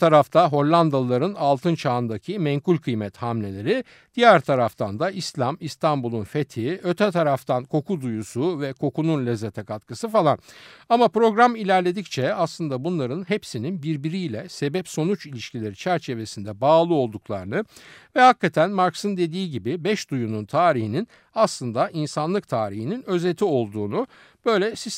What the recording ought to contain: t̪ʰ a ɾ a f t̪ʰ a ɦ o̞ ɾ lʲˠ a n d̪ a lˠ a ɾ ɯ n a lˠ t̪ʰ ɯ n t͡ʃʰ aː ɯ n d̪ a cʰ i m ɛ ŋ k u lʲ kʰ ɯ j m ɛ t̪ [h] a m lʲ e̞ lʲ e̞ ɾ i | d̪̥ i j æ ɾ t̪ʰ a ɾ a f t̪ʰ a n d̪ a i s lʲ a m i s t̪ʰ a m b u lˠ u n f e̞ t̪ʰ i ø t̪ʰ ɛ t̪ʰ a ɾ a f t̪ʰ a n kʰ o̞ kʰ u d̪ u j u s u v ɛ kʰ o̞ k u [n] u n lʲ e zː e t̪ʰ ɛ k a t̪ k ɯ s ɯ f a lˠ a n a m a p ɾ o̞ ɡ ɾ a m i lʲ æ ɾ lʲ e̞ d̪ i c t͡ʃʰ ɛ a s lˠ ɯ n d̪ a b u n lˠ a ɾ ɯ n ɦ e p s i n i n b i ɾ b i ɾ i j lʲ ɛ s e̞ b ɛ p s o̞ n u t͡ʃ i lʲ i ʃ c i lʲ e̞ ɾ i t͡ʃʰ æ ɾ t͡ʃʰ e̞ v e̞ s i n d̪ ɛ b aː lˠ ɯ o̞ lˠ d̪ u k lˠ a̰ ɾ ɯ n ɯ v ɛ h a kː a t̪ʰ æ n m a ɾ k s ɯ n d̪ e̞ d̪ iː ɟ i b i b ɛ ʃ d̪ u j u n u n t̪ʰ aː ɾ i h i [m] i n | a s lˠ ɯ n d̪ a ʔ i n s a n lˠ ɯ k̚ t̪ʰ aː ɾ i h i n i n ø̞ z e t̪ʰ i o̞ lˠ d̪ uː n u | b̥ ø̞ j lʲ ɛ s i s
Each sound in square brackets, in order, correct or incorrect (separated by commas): correct, correct, incorrect